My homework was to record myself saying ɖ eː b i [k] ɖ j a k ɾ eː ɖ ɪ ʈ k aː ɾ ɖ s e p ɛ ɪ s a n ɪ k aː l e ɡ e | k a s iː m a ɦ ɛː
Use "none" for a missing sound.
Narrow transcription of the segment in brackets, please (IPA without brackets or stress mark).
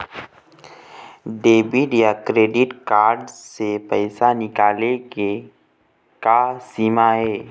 none